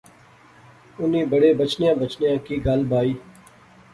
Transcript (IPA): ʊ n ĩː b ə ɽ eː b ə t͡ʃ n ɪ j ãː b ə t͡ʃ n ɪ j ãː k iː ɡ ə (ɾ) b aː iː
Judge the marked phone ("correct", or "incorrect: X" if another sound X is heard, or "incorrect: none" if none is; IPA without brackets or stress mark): incorrect: l